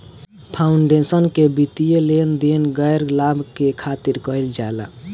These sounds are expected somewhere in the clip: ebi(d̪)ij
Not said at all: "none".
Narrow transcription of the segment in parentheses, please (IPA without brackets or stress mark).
t̪